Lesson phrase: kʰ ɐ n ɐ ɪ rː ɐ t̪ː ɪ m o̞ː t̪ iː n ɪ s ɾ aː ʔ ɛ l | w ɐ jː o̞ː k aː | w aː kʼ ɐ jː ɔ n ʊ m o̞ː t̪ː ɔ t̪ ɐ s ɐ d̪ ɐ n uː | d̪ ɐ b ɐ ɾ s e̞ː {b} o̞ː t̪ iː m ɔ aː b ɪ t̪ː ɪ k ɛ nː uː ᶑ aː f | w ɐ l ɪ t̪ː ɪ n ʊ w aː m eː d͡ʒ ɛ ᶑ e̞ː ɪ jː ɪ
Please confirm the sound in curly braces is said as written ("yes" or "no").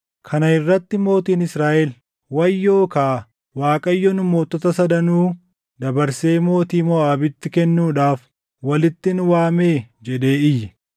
no